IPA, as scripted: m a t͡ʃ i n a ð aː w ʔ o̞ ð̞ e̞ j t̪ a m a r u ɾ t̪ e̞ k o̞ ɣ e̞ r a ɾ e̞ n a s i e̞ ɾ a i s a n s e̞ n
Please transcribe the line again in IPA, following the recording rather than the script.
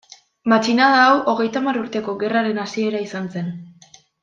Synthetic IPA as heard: m a t͡ʃ i n a ð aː w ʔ o̞ ɣ̞ e̞ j t̪ a m a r u ɾ t̪ e̞ k o̞ ɣ e̞ r a ɾ e̞ n a s i e̞ ɾ a i s a n s e̞ n